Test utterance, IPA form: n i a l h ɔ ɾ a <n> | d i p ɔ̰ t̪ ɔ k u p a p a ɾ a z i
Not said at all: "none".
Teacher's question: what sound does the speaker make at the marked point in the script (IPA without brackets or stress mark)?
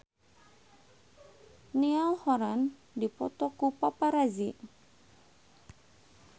n